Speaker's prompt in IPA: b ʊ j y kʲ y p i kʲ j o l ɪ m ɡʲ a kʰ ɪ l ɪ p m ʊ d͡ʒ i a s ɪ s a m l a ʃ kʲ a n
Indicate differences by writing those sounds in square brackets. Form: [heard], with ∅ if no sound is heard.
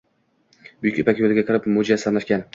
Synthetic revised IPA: b ʊ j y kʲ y p [a] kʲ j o l ɪ [∅] ɡʲ a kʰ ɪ [ɾ] ɪ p m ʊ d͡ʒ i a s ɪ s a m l a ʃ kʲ a n